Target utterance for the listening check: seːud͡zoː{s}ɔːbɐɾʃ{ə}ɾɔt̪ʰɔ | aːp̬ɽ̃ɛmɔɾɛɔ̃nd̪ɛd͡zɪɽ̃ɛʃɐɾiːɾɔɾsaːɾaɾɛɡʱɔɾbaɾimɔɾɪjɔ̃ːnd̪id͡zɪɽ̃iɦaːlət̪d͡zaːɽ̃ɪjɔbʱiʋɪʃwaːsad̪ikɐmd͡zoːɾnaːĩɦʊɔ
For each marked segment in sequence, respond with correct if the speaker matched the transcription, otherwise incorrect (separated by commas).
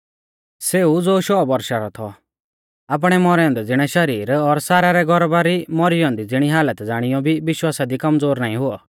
incorrect, incorrect